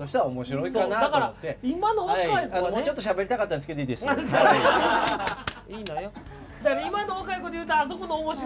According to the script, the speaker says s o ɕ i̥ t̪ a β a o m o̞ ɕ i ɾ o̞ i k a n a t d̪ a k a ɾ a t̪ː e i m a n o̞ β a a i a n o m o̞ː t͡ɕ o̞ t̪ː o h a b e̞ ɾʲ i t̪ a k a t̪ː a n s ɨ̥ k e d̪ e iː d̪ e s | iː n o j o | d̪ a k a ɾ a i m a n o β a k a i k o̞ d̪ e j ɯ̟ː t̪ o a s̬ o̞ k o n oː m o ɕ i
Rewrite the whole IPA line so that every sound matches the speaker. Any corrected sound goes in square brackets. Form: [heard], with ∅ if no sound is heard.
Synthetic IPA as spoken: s o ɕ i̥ t̪ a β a o m o̞ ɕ i ɾ o̞ i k a n a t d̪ a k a ɾ a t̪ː e i m a n o̞ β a a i a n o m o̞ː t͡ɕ o̞ t̪ː o [ɕ] a b e̞ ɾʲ i t̪ a k a t̪ː a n s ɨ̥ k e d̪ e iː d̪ e s | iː n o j o | d̪ a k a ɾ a i m a n o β a k a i k o̞ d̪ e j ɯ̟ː t̪ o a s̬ o̞ k o n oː m o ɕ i